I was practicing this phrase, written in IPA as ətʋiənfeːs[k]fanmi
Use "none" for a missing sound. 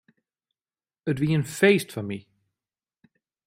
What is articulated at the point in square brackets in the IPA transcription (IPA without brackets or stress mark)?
t